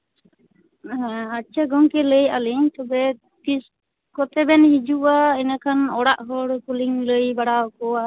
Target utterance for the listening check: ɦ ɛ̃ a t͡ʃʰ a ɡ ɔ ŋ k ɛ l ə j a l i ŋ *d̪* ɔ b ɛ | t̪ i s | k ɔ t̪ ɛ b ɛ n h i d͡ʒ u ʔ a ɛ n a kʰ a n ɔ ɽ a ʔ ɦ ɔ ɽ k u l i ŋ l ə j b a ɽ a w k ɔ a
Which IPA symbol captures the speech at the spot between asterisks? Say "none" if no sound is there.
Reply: t̪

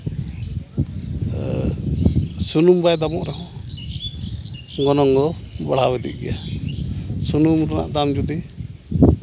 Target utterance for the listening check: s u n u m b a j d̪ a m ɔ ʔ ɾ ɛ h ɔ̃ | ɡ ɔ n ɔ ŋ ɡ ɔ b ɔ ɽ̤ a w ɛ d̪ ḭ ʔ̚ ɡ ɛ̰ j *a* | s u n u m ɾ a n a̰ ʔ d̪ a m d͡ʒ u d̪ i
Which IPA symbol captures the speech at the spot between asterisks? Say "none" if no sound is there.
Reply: a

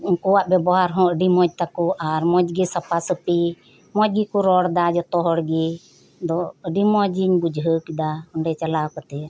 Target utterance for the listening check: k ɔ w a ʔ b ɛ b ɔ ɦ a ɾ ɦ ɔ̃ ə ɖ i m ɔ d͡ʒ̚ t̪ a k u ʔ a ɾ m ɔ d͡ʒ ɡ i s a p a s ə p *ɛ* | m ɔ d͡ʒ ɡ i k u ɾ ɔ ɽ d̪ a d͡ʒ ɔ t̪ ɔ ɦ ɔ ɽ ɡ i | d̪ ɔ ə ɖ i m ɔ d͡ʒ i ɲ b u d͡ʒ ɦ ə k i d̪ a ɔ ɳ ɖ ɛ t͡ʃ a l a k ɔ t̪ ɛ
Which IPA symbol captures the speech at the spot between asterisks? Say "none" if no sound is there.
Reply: i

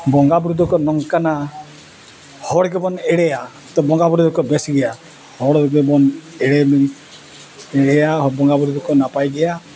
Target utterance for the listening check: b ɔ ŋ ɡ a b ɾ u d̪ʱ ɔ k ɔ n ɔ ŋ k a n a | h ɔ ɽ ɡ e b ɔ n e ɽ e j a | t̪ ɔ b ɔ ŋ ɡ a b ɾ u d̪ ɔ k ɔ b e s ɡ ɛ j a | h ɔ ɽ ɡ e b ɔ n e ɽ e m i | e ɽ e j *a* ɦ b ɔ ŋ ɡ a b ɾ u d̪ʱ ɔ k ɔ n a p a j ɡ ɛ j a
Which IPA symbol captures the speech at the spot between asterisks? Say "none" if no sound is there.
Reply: a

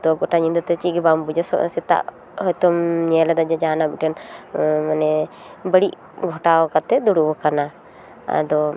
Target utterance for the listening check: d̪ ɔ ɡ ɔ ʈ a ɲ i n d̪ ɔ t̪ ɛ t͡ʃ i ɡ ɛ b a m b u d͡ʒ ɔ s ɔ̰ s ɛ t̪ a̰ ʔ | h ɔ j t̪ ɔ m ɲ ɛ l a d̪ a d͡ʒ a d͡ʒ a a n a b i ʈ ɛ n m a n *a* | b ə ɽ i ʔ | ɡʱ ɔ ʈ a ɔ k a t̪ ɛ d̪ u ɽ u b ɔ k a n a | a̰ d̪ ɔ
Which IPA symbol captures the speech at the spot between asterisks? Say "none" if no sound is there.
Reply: ɛ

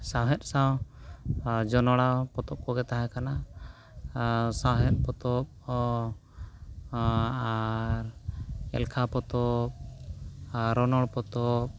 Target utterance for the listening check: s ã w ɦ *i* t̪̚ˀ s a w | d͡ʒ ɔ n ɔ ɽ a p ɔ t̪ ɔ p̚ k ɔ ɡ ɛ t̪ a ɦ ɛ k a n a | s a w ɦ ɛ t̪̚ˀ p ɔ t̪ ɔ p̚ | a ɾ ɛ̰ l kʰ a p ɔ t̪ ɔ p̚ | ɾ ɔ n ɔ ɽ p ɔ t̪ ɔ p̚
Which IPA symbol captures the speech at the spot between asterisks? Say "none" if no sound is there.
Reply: ɛ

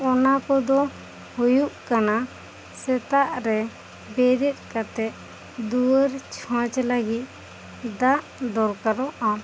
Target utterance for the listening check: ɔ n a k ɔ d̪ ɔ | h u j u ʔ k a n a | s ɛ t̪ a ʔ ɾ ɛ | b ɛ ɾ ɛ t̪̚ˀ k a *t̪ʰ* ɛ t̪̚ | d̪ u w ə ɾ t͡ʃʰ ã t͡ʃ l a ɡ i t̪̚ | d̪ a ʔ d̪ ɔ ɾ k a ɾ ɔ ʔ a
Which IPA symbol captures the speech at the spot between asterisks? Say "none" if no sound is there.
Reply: t̪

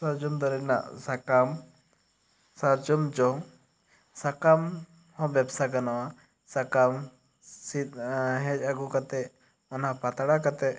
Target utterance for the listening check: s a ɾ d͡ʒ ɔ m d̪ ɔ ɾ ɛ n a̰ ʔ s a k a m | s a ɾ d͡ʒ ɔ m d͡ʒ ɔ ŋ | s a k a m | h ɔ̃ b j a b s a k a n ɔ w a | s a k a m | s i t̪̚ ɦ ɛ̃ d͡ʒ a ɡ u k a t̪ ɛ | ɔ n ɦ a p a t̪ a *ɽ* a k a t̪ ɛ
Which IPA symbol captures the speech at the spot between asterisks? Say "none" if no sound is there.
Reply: ɽ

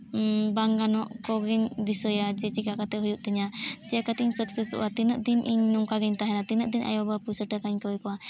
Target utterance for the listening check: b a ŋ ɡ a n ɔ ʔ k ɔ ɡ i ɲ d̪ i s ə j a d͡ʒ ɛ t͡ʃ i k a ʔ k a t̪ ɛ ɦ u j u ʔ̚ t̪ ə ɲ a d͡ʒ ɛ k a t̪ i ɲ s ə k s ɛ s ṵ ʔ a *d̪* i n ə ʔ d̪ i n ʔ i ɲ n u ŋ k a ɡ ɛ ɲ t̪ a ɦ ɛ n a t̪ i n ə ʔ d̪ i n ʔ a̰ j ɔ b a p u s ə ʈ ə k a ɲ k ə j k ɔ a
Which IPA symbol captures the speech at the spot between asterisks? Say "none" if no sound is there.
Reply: t̪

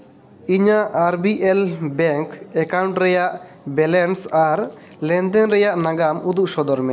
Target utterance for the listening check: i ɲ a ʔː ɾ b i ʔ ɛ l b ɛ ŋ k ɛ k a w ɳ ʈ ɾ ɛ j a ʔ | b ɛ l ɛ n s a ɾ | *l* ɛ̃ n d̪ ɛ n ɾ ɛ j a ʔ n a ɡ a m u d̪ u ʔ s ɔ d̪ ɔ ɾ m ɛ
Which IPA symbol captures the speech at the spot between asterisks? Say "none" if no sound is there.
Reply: l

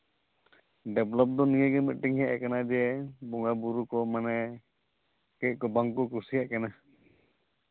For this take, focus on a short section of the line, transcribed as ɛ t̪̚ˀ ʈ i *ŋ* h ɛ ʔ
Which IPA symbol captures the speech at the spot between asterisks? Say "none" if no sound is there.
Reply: ŋ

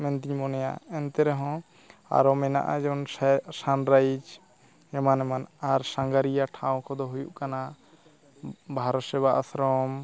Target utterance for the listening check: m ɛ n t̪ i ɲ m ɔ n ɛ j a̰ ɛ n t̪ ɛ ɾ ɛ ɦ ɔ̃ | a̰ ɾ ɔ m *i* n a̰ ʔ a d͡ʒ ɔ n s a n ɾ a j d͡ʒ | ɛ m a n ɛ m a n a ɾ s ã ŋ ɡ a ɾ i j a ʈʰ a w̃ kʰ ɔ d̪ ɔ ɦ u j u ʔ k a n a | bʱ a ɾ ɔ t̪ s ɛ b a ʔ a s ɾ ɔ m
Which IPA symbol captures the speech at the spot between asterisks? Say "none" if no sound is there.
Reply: ɛ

